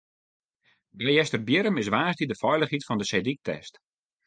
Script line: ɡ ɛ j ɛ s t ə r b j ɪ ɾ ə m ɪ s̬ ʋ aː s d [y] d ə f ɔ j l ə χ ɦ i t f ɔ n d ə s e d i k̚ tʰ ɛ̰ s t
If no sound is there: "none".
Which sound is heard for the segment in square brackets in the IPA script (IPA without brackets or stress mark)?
i